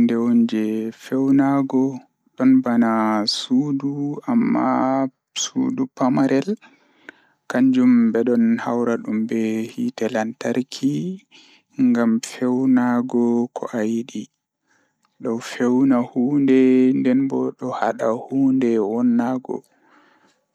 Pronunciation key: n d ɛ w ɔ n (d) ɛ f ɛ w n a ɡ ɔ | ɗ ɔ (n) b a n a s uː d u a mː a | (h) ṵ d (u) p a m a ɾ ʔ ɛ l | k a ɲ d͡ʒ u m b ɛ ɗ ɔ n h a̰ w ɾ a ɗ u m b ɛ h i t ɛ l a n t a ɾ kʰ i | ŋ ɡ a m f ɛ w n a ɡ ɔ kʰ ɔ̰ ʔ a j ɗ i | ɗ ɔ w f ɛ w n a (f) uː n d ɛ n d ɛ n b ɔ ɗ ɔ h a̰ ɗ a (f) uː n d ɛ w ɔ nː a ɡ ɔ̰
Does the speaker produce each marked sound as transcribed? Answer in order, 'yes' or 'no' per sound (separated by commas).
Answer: no, yes, no, yes, no, no